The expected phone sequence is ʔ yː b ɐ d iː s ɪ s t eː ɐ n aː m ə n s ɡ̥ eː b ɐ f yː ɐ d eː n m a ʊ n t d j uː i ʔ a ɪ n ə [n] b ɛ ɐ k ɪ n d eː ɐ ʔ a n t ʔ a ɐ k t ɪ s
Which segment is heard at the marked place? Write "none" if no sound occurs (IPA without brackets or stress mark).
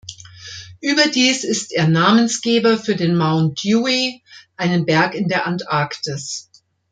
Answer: n